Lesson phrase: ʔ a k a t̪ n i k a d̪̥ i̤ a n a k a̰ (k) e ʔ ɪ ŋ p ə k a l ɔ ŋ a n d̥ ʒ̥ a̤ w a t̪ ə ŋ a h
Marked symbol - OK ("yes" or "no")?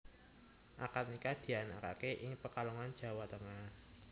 yes